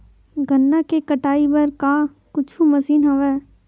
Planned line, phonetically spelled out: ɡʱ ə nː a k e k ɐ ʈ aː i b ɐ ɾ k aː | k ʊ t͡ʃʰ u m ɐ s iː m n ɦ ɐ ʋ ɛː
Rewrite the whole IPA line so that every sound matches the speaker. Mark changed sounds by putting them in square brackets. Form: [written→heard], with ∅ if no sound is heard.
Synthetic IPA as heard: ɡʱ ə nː a k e k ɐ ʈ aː i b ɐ ɾ k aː | k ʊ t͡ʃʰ u m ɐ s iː [m→∅] n ɦ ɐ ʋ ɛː